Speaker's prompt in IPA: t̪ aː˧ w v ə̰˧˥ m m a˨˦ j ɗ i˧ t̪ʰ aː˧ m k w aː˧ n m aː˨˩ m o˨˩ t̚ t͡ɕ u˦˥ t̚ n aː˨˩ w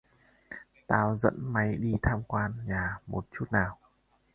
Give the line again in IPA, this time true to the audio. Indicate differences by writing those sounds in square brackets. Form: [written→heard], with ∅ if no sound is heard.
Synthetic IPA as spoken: t̪ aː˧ w [v→z] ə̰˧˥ [m→n] m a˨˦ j ɗ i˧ t̪ʰ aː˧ m k w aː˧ n [m→ɲ] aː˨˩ m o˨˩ t̚ t͡ɕ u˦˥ t̚ n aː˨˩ w